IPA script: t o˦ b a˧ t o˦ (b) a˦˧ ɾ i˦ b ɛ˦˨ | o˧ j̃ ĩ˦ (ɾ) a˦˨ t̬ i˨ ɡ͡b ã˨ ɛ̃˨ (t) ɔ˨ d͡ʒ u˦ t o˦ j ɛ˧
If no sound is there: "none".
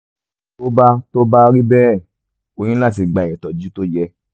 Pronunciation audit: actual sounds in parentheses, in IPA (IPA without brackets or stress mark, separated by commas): b, l, t